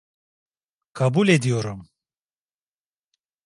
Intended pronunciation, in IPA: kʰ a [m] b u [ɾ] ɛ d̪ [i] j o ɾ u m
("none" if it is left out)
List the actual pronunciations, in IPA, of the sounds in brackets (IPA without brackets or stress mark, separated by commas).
none, l, i